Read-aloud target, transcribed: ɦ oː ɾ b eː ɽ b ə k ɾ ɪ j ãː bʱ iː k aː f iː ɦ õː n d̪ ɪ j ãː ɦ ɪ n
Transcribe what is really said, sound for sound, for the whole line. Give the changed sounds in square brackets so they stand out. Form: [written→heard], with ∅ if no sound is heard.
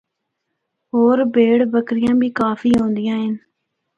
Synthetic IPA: ɦ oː ɾ b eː ɽ b ə k ɾ ɪ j ãː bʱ iː k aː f iː ɦ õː n d̪ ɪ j ãː ɦ ɪ n